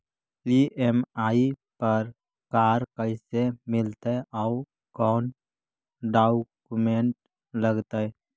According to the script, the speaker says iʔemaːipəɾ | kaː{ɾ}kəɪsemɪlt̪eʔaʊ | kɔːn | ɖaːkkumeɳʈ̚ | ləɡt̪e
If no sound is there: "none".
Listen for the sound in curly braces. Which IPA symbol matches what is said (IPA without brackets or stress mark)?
ɾ